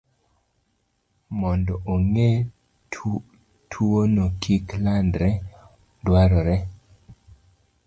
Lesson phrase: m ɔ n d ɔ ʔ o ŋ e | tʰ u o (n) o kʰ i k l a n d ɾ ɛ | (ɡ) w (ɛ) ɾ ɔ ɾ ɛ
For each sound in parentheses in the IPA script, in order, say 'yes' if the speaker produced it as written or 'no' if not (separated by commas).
yes, no, no